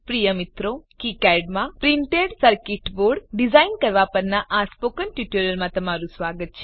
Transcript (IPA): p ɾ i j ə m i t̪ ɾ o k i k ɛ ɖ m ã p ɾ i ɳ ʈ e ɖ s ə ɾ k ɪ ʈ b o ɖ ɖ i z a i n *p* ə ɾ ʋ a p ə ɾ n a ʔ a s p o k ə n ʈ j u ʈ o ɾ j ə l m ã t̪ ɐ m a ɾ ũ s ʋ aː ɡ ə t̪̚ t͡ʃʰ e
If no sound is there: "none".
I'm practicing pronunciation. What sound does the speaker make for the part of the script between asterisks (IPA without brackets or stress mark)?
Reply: k